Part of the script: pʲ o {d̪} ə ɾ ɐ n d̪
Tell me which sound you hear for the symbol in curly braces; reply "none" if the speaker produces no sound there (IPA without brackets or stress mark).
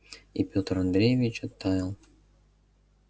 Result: t̪